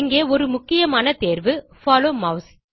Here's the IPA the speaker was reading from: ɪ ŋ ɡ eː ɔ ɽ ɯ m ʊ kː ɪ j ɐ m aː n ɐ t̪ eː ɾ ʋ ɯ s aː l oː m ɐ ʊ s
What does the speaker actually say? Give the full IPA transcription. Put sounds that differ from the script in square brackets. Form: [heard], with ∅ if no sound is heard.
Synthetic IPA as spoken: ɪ ŋ ɡ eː ɔ [ɾ] ɯ m ʊ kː ɪ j ɐ m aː n ɐ t̪ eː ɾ ʋ ɯ [f] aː l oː m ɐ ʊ s